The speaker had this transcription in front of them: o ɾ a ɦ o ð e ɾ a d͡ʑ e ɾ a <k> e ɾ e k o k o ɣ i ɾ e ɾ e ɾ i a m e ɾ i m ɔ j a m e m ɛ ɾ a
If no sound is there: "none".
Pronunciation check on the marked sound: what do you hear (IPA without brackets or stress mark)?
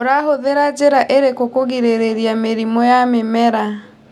ʔ